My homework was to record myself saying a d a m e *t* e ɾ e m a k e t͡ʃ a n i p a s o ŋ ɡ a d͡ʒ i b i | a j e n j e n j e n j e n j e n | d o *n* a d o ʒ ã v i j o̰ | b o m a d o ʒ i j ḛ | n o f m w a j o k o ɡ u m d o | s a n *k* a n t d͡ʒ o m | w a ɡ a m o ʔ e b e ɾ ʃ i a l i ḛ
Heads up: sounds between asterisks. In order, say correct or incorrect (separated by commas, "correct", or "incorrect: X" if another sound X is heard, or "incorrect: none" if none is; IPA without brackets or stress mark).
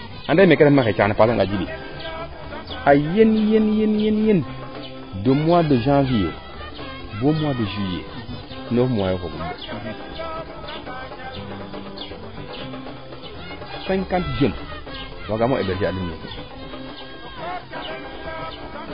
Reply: incorrect: k, incorrect: m, correct